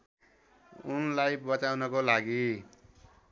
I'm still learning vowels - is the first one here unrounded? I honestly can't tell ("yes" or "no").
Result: no